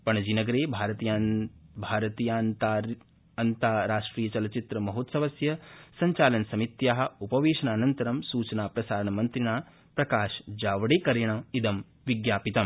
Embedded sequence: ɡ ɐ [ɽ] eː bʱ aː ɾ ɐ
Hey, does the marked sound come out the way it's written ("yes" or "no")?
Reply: no